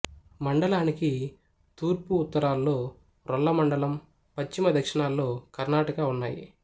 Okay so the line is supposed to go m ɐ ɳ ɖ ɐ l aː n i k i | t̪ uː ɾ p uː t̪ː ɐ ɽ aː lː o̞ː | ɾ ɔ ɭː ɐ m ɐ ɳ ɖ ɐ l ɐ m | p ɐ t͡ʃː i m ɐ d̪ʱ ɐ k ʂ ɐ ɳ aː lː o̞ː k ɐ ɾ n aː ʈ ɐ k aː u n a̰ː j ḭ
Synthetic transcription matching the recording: m ɐ ɳ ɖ ɐ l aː n i k i | t̪ uː ɾ p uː t̪ː ɐ ɾ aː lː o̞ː | ɾ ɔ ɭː ɐ m ɐ ɳ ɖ ɐ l ɐ m | p ɐ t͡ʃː i m ɐ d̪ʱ ɐ k ʂ ɐ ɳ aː lː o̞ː k ɐ ɾ n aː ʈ ɐ k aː u nː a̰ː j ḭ